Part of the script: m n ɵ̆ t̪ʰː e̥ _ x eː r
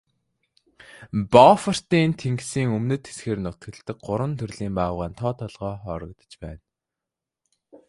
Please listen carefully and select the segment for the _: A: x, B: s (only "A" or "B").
B